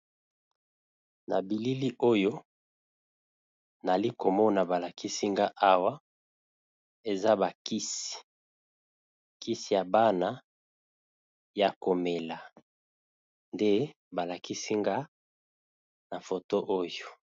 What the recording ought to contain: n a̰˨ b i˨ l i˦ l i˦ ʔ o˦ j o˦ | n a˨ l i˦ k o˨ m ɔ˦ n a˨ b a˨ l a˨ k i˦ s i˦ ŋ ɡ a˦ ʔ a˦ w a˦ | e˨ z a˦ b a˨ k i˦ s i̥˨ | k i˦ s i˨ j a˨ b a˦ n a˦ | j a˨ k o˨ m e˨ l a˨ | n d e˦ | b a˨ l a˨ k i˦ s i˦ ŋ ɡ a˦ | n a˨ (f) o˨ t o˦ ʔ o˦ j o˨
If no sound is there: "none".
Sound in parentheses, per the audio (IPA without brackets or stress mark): f